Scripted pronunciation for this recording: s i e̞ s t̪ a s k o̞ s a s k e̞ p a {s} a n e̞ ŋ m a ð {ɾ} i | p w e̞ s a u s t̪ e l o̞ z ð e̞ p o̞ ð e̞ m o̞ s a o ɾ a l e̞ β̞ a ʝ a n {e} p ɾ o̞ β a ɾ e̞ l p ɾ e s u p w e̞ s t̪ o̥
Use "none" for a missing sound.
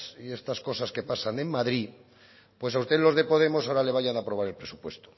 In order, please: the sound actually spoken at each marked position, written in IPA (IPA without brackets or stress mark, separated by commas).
s, ɾ, a